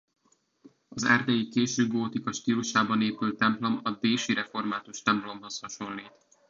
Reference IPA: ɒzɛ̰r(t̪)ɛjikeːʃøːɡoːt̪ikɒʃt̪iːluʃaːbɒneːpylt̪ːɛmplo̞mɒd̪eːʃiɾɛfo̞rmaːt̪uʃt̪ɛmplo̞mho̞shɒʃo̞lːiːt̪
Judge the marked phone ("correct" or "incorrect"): incorrect